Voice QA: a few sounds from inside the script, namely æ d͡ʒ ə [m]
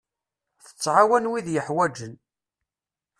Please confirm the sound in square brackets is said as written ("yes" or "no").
no